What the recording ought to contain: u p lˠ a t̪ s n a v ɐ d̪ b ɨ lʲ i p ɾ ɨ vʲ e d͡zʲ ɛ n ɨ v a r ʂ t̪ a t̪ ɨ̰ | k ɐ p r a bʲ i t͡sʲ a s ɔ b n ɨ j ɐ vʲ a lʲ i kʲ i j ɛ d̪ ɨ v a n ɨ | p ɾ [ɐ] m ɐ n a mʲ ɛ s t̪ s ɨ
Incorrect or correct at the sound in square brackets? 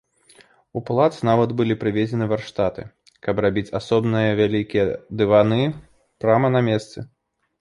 incorrect: a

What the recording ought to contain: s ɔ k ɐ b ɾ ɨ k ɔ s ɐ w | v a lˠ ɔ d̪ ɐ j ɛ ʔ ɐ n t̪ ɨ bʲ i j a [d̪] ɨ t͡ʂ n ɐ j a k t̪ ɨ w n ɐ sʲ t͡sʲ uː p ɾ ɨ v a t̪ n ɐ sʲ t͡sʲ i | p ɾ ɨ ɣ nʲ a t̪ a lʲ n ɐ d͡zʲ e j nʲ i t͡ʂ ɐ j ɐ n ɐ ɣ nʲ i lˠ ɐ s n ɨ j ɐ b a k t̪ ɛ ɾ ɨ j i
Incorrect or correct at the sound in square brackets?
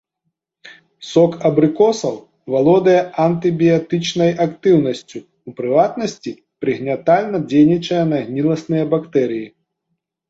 incorrect: t̪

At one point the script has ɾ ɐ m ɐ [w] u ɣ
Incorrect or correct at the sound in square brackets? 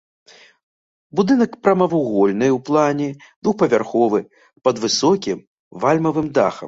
incorrect: v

